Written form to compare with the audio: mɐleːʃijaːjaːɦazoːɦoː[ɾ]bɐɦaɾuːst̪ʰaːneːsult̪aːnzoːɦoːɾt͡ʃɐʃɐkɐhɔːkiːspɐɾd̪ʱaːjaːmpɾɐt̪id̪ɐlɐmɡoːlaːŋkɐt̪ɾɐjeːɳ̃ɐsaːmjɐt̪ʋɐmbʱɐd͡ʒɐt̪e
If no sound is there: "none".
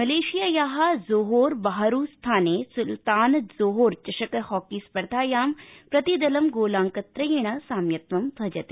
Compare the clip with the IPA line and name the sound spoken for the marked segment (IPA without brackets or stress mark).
ɾ